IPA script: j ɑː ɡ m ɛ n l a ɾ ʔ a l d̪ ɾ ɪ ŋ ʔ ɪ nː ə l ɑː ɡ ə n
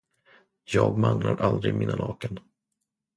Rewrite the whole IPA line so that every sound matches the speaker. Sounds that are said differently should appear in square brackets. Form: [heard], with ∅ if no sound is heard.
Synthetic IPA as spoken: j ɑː ɡ m [a] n l a ɾ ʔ a l d̪ ɾ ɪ [m] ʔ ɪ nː [a] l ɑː [k] ə n